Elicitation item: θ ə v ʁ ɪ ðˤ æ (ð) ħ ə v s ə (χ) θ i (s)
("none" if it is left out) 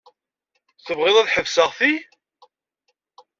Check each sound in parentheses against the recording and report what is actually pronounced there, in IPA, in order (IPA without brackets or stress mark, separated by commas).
ð, ʁ, none